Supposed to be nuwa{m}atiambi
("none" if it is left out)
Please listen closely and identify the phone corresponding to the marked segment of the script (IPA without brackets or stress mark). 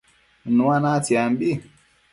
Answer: n